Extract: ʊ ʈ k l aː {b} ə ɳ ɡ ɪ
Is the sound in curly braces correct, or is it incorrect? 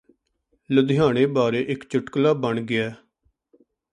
correct